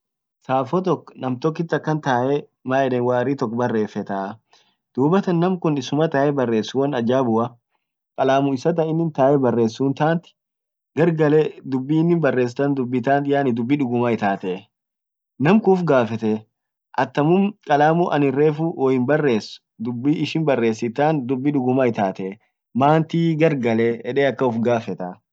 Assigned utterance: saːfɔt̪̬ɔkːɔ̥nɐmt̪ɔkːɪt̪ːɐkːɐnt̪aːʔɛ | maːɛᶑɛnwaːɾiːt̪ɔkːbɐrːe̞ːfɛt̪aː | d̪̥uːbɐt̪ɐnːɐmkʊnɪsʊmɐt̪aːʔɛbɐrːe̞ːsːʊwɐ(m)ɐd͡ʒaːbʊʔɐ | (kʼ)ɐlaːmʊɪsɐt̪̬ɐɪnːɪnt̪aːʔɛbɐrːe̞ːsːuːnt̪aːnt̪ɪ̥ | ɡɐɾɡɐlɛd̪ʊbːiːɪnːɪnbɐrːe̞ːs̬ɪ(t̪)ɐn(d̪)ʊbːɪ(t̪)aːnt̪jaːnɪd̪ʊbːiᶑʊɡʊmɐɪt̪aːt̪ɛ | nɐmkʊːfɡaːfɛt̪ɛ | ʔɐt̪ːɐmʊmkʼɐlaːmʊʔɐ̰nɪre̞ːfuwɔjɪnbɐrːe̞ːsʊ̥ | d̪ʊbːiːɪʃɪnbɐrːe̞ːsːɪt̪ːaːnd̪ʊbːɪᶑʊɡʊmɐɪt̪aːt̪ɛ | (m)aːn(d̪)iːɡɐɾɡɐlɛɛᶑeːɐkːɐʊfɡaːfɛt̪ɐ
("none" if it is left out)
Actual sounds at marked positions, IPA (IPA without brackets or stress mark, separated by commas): n, kʼ, t̪, d̪, t̪, m, t̪